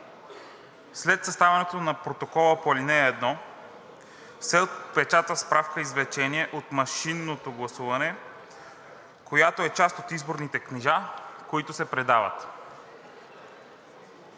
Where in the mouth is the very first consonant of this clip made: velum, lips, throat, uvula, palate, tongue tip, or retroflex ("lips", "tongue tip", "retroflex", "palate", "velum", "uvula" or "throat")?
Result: tongue tip